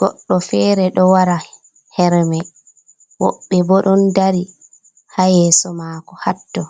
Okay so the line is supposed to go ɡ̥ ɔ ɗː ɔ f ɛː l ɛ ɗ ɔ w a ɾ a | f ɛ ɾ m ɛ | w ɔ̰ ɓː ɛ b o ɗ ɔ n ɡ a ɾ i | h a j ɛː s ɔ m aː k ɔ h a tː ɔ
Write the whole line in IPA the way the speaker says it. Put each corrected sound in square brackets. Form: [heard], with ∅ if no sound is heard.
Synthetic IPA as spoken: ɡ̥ ɔ ɗː ɔ f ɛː [ɾ] ɛ ɗ ɔ w a ɾ a | [h] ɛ ɾ m ɛ | w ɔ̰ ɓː ɛ b [ɔ] ɗ ɔ n [d] a ɾ i | h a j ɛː s ɔ m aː k ɔ h a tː ɔ